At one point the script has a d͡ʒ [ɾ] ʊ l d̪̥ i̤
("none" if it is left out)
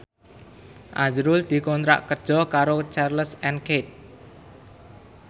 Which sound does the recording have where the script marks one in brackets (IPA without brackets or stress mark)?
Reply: ɾ